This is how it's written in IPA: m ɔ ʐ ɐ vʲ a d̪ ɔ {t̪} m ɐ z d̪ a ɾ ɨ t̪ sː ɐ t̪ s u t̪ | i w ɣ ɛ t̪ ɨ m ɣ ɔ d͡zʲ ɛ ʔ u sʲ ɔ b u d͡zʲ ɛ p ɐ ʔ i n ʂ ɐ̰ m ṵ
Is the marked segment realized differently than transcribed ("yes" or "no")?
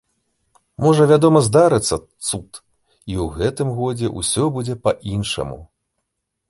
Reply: yes